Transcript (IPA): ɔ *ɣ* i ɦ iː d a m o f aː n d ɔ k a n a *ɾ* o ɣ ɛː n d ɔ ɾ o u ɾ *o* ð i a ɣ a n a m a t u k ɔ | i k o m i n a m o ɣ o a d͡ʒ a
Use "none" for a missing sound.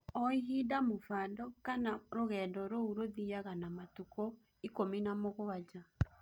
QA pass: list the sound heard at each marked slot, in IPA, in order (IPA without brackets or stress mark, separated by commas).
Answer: none, ɾ, o